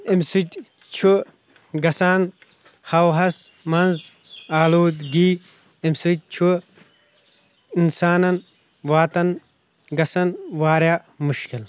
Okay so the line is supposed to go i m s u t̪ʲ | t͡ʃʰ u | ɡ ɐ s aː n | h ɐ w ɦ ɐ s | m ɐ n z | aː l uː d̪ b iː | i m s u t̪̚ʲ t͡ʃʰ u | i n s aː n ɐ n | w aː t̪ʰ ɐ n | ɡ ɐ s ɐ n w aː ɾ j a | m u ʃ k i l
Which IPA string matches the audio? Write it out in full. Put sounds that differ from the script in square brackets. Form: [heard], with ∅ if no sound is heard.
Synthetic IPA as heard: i m s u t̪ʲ | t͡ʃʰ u | ɡ ɐ s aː n | h ɐ w ɦ ɐ s | m ɐ n z | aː l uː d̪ [ɡ] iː | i m s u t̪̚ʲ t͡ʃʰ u | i n s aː n ɐ n | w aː [t̪] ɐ n | ɡ ɐ s ɐ n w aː ɾ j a | m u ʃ k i l